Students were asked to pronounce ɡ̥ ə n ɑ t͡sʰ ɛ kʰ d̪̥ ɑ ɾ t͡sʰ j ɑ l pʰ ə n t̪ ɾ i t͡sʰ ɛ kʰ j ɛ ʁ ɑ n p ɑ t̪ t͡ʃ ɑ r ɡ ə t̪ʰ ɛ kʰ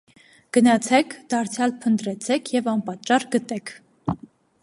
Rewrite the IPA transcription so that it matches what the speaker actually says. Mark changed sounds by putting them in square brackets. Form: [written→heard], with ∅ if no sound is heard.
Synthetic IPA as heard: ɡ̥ ə n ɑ t͡sʰ ɛ kʰ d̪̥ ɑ ɾ t͡sʰ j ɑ l pʰ ə n t̪ ɾ [i→ɛ] t͡sʰ ɛ kʰ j ɛ [ʁ→v] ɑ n p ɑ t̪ t͡ʃ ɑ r ɡ ə [t̪ʰ→t̪] ɛ kʰ